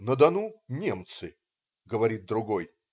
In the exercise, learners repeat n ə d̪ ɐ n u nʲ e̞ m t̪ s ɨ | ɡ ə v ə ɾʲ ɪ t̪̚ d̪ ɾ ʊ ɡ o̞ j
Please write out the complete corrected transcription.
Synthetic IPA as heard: n ə d̪ ɐ n u nʲ e̞ m t̪ s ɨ | ɡ ə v ɐ ɾʲ i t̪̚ d̪ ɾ ʊ ɡ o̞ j